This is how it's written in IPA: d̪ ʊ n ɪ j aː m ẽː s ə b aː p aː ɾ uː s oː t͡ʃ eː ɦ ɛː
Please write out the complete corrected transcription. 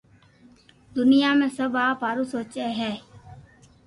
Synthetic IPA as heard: d̪ ʊ n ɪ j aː m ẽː s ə b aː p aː ɾ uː s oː t͡ʃ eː ɦ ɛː